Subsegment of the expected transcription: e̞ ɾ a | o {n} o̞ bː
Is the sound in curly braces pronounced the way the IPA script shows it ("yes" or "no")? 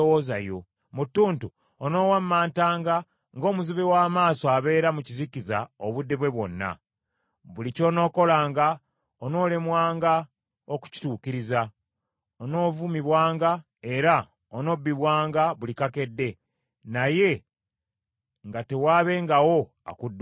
yes